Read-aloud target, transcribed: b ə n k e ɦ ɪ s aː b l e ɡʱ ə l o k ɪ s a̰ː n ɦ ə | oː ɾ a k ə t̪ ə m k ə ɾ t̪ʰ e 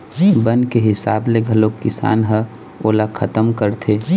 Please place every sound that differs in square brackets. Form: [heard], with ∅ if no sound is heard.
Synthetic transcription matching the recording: b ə n k e ɦ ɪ s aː b l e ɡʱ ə l o k ɪ s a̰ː n ɦ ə | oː [l] a [kʰ] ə t̪ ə m k ə ɾ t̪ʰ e